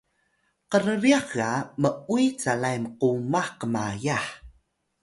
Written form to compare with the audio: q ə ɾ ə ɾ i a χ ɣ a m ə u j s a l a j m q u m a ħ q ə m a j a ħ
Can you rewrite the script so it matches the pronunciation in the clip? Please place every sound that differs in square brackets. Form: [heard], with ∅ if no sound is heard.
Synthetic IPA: q ə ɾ ə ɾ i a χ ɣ a m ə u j [t͡s] a l a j m q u m a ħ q ə m a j a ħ